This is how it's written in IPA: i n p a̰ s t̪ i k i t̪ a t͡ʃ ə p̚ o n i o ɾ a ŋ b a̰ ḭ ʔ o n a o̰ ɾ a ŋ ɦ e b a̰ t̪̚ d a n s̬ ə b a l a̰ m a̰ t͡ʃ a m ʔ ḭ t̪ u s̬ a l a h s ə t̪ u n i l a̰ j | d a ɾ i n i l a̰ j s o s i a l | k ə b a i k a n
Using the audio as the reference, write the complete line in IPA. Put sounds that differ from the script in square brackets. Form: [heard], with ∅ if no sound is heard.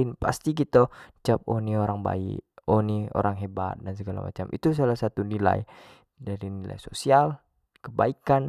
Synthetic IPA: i n p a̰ s t̪ i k i t̪ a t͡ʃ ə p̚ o n i o ɾ a ŋ b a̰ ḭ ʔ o n [i] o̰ ɾ a ŋ ɦ e b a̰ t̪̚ d a n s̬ ə [ɡ] a l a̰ m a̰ t͡ʃ a m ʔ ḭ t̪ u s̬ a l a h s [a] t̪ u n i l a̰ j | d a ɾ i n i l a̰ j s o s i a l | k ə b a i k a n